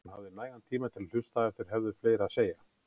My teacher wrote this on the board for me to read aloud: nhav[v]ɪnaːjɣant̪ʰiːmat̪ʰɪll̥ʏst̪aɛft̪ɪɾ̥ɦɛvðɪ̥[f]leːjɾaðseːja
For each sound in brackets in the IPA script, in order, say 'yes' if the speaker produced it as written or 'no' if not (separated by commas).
no, yes